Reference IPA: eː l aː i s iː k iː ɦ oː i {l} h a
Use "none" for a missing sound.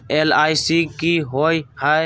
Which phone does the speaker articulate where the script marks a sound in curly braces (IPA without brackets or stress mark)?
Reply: none